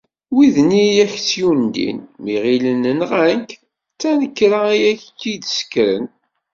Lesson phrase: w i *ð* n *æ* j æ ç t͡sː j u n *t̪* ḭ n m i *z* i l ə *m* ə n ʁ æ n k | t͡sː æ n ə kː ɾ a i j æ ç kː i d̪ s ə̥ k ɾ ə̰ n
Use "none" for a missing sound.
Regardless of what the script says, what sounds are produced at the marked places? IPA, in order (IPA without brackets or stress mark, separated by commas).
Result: ð, i, d̪, ʁ, n